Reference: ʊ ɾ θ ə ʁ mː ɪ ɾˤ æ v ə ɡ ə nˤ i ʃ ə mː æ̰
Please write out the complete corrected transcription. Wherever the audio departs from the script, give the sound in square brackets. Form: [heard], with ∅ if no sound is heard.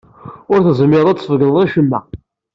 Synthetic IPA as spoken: ʊ ɾ θ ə [z] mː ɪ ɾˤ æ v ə ɡ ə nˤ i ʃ ə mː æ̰